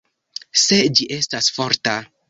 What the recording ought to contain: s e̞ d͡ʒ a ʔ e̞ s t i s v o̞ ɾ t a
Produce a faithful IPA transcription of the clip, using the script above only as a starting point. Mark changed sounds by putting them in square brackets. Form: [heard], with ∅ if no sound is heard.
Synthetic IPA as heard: s e̞ d͡ʒ [i] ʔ e̞ s t [a] s [f] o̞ ɾ t a